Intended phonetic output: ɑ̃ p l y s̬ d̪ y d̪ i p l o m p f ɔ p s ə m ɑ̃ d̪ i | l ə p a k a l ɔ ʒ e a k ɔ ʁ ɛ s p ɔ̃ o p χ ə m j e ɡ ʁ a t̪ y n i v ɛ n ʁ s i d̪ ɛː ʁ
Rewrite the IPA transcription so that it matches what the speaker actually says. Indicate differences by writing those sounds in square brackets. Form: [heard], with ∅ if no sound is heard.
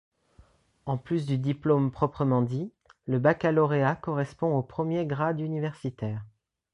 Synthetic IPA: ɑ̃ p l y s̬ d̪ y d̪ i p l o m p [χ] ɔ p [χ] ə m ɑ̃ d̪ i | l ə [b] a k a l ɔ [ʁ] e a k ɔ ʁ ɛ s p ɔ̃ o p χ ə m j e ɡ ʁ a [d̪] y n i v ɛ [∅] ʁ s i [t̪] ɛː ʁ